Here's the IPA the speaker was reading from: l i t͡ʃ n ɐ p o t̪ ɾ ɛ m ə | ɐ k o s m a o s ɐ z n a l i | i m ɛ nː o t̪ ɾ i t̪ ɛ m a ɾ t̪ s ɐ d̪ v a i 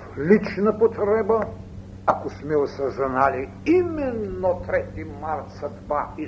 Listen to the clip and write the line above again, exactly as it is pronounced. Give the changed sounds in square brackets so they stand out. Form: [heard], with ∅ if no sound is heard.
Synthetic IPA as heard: l i t͡ʃ n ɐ p o t̪ ɾ ɛ [b] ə | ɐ k o s m [ɛ] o s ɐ z n a l i | i m ɛ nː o t̪ ɾ [ɛ] t̪ [i] m a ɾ t̪ s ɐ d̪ v a i